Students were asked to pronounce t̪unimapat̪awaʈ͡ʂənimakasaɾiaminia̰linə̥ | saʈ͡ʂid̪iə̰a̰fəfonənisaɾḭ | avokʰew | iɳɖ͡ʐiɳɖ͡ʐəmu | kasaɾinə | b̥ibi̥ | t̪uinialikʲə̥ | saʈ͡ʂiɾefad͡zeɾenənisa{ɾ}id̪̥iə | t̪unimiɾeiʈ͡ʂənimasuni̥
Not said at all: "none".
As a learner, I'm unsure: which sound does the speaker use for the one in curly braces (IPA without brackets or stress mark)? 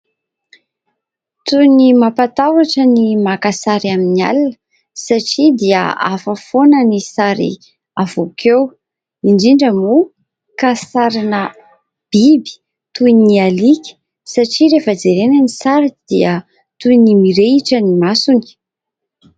ɾ